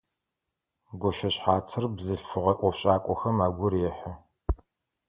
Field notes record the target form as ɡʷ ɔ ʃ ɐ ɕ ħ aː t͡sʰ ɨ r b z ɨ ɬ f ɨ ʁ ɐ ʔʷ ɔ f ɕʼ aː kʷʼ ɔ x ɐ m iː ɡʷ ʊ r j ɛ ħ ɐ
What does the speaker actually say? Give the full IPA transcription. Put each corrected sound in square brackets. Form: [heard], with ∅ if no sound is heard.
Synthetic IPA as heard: ɡʷ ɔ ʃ ɐ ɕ ħ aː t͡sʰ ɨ r b z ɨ ɬ f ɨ ʁ ɐ ʔʷ ɔ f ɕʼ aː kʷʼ ɔ x ɐ m [aː] ɡʷ ʊ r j ɛ ħ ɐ